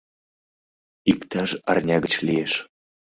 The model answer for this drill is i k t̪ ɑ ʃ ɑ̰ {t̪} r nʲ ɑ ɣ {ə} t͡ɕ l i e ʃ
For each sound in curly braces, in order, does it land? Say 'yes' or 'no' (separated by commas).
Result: no, yes